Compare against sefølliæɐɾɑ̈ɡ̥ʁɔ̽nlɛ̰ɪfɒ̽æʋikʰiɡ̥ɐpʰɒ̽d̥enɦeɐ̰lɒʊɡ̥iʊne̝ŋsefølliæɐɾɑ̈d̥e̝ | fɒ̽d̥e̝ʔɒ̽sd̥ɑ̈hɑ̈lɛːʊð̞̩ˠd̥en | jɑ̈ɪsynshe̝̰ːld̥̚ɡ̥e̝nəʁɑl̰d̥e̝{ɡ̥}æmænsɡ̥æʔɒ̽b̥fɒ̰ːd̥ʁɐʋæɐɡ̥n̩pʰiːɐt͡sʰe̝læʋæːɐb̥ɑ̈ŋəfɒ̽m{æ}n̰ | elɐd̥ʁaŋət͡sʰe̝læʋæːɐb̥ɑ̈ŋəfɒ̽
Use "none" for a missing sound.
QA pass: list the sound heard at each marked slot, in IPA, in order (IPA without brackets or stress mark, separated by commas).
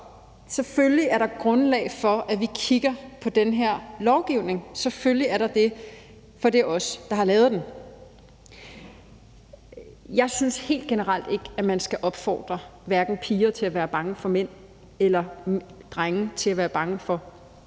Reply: ɡ̥, e